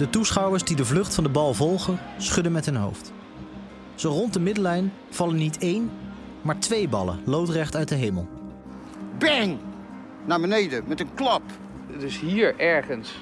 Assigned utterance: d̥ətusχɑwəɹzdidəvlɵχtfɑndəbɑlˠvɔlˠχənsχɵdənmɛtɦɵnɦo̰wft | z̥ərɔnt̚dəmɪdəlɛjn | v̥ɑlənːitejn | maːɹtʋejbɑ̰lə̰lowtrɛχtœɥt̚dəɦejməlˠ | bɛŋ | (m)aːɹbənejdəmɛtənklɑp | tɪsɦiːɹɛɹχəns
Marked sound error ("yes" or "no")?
yes